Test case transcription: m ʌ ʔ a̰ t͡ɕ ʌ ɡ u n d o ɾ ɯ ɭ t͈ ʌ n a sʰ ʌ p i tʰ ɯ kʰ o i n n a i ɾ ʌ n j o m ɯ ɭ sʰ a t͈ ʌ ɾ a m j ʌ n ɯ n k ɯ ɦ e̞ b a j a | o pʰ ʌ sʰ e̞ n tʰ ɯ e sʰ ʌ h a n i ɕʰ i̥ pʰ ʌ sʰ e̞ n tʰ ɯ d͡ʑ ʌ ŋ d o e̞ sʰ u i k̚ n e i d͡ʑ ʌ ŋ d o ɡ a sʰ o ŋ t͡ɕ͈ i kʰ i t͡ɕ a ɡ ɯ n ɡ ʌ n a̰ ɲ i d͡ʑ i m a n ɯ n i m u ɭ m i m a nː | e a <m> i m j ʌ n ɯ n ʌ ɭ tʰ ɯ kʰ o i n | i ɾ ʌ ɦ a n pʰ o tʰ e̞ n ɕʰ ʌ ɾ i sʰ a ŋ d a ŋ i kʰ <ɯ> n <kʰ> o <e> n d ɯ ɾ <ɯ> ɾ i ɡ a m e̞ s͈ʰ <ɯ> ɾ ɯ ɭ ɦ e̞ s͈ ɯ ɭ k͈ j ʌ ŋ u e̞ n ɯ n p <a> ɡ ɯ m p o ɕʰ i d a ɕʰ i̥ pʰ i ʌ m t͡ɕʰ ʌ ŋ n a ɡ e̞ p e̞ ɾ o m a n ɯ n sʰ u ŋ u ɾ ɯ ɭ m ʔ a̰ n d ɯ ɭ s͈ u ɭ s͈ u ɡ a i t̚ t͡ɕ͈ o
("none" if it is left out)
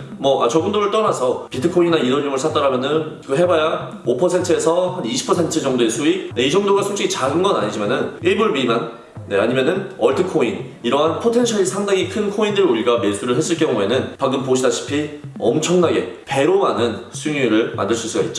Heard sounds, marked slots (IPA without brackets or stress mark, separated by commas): ɲ, ɯ, kʰ, i, u, u, a